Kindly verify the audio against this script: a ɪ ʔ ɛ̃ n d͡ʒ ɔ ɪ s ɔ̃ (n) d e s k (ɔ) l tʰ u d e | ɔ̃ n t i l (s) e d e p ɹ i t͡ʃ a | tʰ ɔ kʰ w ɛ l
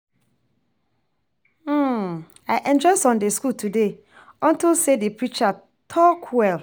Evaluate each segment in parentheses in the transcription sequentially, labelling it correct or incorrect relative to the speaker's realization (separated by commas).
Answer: correct, incorrect, correct